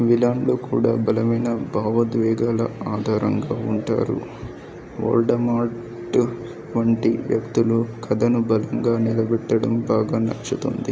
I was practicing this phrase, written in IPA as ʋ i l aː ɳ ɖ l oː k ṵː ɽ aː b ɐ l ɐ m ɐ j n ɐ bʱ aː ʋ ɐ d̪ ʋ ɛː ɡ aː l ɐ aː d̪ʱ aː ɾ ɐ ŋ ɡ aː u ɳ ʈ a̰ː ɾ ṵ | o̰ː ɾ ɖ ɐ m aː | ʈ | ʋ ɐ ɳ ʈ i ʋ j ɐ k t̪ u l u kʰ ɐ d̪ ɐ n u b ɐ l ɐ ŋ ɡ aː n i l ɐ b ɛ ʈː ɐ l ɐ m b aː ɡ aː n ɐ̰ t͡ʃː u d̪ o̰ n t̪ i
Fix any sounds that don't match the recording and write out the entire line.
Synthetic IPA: ʋ i l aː ɳ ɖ l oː k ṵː ɽ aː b ɐ l ɐ m ɐ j n ɐ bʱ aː ʋ ɐ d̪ ʋ ɛː ɡ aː l ɐ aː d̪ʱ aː ɾ ɐ ŋ ɡ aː u ɳ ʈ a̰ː ɾ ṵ | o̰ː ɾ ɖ ɐ m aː | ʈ | ʋ ɐ ɳ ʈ i ʋ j ɐ k t̪ u l u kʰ ɐ d̪ ɐ n u b ɐ l ɐ ŋ ɡ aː n i l ɐ b ɛ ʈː ɐ ɽ ɐ m b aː ɡ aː n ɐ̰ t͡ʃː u t̪ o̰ n d̪ i